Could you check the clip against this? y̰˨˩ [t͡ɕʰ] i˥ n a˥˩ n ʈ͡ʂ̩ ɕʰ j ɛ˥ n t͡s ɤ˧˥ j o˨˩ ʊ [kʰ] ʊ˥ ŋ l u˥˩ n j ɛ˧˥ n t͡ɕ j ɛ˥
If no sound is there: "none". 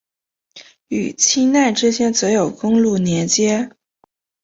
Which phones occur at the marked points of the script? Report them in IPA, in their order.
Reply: t͡ɕʰ, k

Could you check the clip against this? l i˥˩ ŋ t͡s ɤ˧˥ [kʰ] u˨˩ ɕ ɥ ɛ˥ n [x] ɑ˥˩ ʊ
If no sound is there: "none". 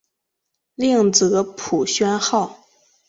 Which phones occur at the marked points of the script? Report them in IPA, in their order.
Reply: pʰ, x

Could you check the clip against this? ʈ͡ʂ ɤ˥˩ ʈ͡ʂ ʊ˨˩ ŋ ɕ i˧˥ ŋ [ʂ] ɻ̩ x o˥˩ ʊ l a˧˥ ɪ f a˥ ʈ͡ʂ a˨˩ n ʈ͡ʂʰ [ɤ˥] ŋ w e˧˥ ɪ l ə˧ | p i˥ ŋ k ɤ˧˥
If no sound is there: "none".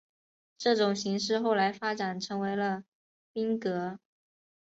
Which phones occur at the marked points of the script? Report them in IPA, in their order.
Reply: ʂ, ɤ˧˥

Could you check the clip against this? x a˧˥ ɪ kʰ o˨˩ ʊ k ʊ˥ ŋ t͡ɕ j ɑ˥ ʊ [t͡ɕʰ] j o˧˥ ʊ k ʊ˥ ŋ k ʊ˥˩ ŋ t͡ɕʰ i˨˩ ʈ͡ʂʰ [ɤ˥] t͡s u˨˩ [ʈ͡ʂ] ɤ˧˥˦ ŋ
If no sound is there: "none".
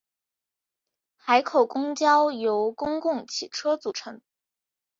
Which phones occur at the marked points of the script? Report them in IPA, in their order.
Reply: none, ɤ˥, ʈ͡ʂʰ

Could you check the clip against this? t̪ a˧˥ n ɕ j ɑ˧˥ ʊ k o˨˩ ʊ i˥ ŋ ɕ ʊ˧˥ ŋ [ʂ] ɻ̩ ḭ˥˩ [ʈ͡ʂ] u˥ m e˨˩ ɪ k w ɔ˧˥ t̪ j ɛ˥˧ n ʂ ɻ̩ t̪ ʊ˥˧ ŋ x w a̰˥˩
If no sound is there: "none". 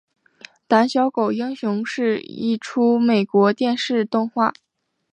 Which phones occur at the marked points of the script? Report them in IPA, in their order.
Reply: ʂ, ʈ͡ʂʰ

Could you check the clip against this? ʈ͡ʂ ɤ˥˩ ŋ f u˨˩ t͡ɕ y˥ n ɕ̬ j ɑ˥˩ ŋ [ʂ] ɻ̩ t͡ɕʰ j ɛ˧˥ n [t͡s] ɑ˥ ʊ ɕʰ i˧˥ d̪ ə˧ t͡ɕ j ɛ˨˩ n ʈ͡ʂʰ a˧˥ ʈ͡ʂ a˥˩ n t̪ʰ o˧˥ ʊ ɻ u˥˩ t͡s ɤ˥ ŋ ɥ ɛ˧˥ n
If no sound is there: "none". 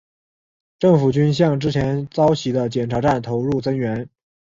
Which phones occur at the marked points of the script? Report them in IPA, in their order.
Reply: ʈ͡ʂ, t͡s

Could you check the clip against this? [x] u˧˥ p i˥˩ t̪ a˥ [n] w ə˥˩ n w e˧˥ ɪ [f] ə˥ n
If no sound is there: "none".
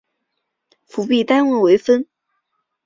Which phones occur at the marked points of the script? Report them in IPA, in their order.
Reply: f, n, f

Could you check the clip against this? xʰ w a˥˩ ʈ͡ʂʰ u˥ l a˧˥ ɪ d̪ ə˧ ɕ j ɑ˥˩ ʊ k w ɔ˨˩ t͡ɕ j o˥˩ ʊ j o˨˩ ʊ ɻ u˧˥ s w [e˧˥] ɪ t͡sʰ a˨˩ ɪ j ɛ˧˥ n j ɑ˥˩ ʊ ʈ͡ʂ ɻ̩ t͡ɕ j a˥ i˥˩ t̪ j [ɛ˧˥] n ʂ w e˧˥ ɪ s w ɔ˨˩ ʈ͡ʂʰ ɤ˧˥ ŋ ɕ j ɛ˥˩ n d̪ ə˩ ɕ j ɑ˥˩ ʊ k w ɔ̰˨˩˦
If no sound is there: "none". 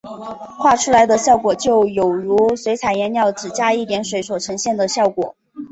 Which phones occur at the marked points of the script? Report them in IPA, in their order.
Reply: e˧˥, ɛ˧˥

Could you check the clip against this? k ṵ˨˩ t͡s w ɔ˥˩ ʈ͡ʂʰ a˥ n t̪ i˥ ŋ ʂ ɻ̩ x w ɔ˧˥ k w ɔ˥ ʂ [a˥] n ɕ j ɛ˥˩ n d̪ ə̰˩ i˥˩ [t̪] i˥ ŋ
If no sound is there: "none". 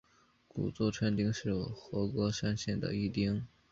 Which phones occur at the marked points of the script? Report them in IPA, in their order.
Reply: a˥, t̪

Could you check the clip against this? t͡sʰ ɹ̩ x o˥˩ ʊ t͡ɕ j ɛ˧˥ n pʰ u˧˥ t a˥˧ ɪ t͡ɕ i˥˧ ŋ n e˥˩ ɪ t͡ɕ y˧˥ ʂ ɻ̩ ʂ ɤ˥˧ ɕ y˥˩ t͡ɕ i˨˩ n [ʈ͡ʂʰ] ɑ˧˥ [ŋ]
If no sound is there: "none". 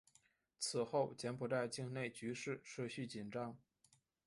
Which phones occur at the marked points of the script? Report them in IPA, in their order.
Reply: ʈ͡ʂ, ŋ

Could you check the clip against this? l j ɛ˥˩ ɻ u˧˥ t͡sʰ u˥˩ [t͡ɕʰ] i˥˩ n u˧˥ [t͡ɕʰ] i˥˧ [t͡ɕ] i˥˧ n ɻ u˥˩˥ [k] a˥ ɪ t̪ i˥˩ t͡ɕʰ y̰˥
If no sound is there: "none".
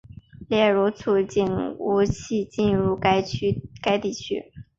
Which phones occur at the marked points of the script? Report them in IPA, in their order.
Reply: t͡ɕ, t͡ɕʰ, t͡ɕ, k

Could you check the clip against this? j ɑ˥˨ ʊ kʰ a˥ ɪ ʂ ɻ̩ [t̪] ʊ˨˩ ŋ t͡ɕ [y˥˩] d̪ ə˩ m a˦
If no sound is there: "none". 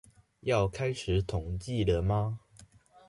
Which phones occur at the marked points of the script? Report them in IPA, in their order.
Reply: t̪ʰ, i˥˩

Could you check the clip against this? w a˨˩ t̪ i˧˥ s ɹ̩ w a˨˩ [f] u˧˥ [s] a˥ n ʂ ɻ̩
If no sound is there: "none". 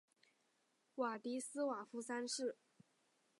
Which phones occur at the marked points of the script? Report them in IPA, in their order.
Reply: f, s

